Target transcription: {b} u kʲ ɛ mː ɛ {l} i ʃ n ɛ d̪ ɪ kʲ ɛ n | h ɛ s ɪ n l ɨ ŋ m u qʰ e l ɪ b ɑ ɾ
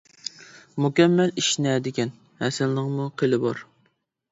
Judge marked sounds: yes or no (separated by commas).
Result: no, yes